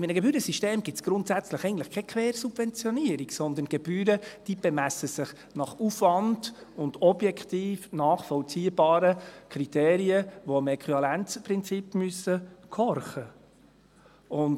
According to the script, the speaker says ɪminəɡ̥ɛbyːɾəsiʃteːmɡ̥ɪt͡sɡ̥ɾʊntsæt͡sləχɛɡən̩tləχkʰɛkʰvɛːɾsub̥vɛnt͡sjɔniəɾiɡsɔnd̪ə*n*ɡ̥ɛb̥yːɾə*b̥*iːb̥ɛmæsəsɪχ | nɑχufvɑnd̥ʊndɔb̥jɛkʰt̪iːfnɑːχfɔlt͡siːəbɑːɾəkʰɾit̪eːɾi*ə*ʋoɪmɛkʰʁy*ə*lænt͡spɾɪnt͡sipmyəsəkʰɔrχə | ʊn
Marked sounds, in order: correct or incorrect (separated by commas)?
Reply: correct, incorrect, correct, incorrect